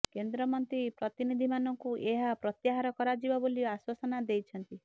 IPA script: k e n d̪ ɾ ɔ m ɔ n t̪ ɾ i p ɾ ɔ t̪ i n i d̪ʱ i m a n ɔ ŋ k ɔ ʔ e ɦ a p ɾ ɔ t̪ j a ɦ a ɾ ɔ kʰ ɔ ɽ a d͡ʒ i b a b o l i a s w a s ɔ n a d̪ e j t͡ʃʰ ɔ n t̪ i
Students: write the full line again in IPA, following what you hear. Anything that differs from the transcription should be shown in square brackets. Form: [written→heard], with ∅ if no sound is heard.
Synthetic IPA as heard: k e n d̪ ɾ ɔ m ɔ n t̪ ɾ i p ɾ ɔ t̪ i n i d̪ʱ i m a n ɔ ŋ k [ɔ→u] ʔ e ɦ a p ɾ ɔ t̪ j a ɦ a ɾ ɔ [kʰ→k] ɔ [ɽ→ɾ] a d͡ʒ i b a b o l i a s w a s ɔ n a d̪ e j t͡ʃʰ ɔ n t̪ i